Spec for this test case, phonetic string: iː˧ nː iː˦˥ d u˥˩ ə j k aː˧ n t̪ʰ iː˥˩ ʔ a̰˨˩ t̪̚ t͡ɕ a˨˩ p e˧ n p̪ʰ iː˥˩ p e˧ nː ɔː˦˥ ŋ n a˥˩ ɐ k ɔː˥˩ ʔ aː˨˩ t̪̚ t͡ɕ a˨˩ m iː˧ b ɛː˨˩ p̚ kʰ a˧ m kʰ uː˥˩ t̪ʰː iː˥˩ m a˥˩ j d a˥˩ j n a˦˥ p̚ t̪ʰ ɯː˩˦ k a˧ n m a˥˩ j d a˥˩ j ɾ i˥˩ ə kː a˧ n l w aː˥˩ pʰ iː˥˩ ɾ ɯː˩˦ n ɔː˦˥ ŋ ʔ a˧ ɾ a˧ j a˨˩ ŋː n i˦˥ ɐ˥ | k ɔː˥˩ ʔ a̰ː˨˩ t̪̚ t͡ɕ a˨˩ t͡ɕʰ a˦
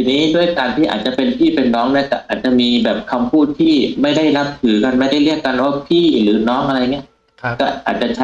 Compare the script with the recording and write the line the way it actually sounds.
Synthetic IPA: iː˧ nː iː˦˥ d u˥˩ ə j k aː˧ n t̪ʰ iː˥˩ ʔ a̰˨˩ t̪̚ t͡ɕ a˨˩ p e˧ n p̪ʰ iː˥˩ p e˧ nː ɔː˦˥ ŋ n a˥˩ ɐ k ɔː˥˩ ʔ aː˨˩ t̪̚ t͡ɕ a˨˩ m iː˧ b ɛː˨˩ p̚ kʰ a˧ m pʰ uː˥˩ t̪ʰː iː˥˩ m a˥˩ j d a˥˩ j n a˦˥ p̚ t̪ʰ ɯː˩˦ k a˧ n m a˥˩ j d a˥˩ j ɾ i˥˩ ə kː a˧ n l w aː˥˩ pʰ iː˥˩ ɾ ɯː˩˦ n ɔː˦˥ ŋ ʔ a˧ ɾ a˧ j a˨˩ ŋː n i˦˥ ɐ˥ | k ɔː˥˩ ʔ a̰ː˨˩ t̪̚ t͡ɕ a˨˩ t͡ɕʰ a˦